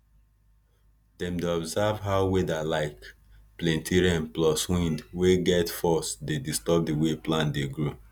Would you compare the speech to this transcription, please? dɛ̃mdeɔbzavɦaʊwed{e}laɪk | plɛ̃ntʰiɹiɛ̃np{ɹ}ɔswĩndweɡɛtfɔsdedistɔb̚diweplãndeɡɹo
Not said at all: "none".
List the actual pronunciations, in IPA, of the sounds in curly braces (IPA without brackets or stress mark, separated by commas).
a, l